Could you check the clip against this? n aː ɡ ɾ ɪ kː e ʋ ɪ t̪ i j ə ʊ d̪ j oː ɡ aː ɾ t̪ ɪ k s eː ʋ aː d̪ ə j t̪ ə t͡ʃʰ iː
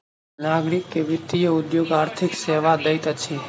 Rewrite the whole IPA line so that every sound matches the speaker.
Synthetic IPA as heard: n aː ɡ ɾ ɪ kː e ʋ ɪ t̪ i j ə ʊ d̪ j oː ɡ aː ɾ t̪ʰ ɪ k s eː ʋ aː d̪ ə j t̪ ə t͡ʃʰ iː